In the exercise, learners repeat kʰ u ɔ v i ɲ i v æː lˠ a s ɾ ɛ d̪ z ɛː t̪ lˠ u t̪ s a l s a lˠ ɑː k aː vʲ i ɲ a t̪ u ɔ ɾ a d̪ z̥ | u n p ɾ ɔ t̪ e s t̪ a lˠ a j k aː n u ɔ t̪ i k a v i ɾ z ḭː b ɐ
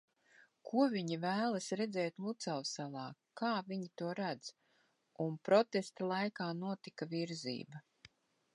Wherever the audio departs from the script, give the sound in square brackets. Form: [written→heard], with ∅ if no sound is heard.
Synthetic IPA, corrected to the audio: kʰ u ɔ v i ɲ i v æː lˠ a s ɾ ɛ d̪ z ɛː t̪ lˠ u t̪ s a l s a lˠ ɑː k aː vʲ i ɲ [a→i] t̪ u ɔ ɾ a d̪ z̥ | u n p ɾ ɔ t̪ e s t̪ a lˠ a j k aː n u ɔ t̪ i k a v i ɾ z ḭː b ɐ